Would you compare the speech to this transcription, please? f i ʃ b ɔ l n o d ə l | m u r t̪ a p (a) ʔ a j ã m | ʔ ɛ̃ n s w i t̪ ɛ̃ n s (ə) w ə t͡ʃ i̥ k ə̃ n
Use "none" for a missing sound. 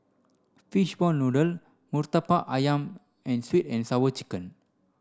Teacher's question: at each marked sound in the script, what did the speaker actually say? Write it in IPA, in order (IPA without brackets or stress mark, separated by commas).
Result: a, a